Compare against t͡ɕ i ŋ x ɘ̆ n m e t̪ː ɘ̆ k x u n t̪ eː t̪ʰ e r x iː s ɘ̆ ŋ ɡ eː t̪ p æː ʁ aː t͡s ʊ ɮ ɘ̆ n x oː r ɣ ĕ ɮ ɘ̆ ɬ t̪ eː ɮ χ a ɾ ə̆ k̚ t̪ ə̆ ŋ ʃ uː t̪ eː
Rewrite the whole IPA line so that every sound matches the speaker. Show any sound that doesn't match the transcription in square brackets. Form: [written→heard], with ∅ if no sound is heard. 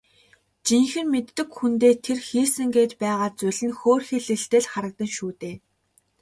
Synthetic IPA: t͡ɕ i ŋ x ɘ̆ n m e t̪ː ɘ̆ k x u n t̪ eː t̪ʰ e r x iː s ɘ̆ ŋ ɡ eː t̪ p æː ʁ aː t͡s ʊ ɮ ɘ̆ n x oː r [ɣ→x] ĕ ɮ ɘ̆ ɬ t̪ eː ɮ χ a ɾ ə̆ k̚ t̪ ə̆ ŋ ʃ uː t̪ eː

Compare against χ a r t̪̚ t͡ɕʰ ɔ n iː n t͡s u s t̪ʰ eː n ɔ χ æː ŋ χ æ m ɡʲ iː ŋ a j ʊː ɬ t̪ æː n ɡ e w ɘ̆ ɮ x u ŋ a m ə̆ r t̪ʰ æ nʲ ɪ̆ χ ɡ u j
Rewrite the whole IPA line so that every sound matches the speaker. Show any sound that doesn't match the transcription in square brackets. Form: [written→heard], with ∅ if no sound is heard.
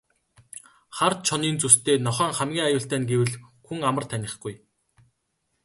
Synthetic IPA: χ a r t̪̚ t͡ɕʰ ɔ n iː n t͡s u s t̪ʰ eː n ɔ χ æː ŋ χ æ m ɡʲ iː ŋ a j ʊː ɬ t̪ æː n ɡ e w ɘ̆ ɮ x u ŋ a m ə̆ r t̪ʰ æ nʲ ɪ̆ χ ɡ u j

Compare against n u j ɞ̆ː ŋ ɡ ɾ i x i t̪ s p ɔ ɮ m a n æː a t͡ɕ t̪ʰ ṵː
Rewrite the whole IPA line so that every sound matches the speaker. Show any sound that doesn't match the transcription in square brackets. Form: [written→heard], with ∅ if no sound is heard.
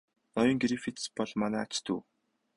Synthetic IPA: n [u→ɔ] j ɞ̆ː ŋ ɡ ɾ i [x→f] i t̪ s p ɔ ɮ m a n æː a t͡ɕ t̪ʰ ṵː

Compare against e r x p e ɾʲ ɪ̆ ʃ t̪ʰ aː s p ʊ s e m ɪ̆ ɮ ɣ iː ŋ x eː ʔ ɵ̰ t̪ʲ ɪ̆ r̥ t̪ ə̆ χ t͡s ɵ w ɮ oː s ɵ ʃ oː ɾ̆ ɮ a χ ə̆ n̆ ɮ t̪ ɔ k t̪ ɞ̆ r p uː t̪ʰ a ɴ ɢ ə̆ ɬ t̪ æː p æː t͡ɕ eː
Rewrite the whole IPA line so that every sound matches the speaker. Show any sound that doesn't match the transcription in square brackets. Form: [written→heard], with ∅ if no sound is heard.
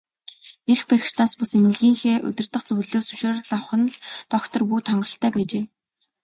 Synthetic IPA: e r x p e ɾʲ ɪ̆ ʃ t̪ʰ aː s p ʊ s e m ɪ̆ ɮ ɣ iː ŋ x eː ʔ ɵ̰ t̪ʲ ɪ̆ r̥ t̪ ə̆ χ t͡s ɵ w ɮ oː s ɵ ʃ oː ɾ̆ ɮ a χ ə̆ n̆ ɮ t̪ ɔ k t̪ ɞ̆ r p uː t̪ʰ a ɴ ɢ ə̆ ɬ t̪ æː p æː t͡ɕ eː

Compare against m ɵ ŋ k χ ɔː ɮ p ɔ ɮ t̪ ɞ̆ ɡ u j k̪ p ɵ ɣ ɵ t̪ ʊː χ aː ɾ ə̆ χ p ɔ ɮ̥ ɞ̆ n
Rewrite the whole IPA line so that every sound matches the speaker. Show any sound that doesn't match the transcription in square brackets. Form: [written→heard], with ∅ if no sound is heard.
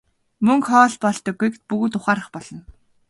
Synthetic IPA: m ɵ ŋ k χ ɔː ɮ p ɔ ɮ t̪ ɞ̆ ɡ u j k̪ p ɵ ɣ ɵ t̪ [ʊː→ʊ] χ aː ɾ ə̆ χ p ɔ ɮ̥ ɞ̆ n

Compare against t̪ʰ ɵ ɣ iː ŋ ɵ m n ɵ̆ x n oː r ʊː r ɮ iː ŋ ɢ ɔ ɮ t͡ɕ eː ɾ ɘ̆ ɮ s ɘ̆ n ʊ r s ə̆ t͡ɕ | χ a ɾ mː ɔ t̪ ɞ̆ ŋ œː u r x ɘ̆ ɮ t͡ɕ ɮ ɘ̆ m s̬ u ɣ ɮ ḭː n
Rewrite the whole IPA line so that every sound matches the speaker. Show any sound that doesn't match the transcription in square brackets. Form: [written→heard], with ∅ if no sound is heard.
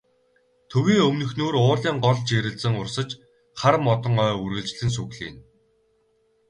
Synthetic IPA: t̪ʰ ɵ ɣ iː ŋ ɵ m n ɵ̆ x n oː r ʊː r ɮ iː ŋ ɢ ɔ ɮ t͡ɕ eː ɾ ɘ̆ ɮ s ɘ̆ [n→ŋ] ʊ r s ə̆ t͡ɕ | χ a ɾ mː ɔ t̪ ɞ̆ ŋ œː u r [x→ɣ] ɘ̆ ɮ t͡ɕ ɮ ɘ̆ [m→n] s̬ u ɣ ɮ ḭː n

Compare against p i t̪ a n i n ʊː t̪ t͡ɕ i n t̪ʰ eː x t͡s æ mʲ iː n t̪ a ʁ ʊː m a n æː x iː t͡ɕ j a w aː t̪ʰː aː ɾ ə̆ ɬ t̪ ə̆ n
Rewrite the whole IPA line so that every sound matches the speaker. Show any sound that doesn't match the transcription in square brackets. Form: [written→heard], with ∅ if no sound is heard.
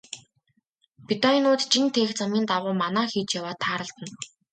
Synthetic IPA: p i t̪ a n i n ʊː t̪ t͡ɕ i n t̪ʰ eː x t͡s [æ→a] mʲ iː n t̪ a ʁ ʊː m a n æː x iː t͡ɕ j a w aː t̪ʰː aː ɾ ə̆ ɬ t̪ ə̆ n

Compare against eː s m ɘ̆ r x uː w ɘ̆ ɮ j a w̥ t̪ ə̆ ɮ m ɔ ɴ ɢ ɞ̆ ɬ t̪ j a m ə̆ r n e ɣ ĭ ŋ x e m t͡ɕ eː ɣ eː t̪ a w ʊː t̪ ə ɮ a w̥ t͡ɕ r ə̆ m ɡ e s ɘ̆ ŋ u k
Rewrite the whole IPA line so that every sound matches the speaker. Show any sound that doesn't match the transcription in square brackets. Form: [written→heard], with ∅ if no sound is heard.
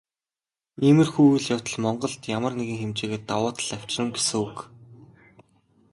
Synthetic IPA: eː [s→∅] m ɘ̆ r x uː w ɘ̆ ɮ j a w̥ t̪ ə̆ ɮ m ɔ ɴ ɢ ɞ̆ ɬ t̪ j a m ə̆ r n e ɣ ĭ ŋ x e m t͡ɕ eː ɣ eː t̪ a w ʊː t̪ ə ɮ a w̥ t͡ɕ r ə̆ m ɡ e s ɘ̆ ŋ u k

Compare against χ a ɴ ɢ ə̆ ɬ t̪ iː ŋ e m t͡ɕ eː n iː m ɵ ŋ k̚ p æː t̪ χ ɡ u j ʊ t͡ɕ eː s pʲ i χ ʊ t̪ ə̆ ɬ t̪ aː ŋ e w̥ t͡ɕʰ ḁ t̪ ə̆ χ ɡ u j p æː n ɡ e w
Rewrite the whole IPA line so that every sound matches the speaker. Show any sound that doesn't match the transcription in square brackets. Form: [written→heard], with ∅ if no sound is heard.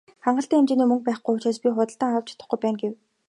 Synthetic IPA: χ a ɴ ɢ ə̆ ɬ t̪ iː ŋ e m t͡ɕ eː n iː m ɵ ŋ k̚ p æː [t̪→∅] χ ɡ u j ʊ t͡ɕ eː s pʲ i χ ʊ t̪ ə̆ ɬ t̪ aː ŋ [e→a] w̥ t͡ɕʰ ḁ t̪ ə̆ χ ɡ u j p æː n ɡ e w

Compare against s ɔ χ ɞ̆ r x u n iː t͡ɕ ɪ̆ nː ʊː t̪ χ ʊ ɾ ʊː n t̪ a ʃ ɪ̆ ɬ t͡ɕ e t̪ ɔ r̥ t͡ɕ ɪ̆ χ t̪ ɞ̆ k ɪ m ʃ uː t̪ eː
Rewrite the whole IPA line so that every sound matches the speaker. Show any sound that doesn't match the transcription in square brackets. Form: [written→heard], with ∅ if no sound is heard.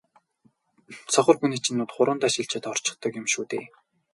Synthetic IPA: s ɔ χ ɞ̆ r x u n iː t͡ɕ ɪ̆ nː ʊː t̪ χ ʊ ɾ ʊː n t̪ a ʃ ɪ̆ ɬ t͡ɕ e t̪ ɔ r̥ t͡ɕ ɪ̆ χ t̪ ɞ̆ k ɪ m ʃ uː t̪ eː

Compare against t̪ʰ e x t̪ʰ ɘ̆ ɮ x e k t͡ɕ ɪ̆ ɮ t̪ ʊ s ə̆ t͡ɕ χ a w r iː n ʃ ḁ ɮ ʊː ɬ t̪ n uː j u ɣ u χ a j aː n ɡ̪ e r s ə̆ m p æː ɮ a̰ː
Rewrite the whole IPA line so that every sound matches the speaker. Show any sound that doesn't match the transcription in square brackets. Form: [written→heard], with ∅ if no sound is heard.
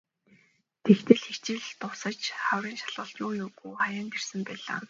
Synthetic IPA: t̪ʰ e x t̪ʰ ɘ̆ ɮ x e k t͡ɕ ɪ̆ ɮ t̪ ʊ s ə̆ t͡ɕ χ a w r iː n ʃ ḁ ɮ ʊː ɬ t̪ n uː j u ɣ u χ a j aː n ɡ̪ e r s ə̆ m p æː ɮ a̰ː

